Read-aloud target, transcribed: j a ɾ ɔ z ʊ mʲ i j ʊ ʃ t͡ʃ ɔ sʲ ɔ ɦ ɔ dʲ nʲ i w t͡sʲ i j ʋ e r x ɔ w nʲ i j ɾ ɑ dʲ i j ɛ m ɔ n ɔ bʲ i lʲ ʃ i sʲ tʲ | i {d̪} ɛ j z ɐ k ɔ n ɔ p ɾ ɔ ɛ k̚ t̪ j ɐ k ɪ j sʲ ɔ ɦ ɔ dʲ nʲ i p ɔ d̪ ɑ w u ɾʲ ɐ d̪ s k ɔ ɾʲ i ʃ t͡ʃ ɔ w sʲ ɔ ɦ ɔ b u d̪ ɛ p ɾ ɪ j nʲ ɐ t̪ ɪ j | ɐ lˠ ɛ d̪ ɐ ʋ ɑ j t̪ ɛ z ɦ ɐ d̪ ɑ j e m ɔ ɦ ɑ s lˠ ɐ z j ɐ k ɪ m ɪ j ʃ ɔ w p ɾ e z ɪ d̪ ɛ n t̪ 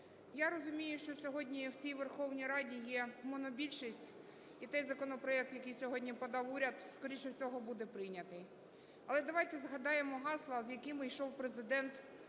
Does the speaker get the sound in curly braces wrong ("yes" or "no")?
yes